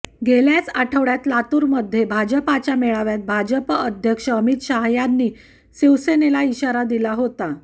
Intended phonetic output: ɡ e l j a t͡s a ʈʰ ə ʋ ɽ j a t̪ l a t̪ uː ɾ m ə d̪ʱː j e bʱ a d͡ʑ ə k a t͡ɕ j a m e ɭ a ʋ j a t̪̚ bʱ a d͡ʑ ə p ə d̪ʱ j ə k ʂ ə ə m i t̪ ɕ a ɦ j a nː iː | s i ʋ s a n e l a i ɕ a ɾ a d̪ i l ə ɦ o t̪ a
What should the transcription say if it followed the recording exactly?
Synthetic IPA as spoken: ɡ e l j a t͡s a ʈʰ ə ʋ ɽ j a t̪ l a t̪ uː ɾ m ə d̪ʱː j e bʱ a d͡ʑ ə p a t͡ɕ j a m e ɭ a ʋ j a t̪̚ bʱ a d͡ʑ ə p ə d̪ʱ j ə k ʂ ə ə m i t̪ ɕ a ɦ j a nː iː | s i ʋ s e n e l a i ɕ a ɾ a d̪ i l a ɦ o t̪ a